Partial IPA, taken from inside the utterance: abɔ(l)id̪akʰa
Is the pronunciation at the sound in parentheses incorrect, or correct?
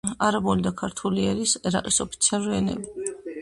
correct